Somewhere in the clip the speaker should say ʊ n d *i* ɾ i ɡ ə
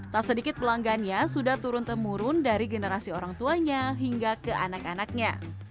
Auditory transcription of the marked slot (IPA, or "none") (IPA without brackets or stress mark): a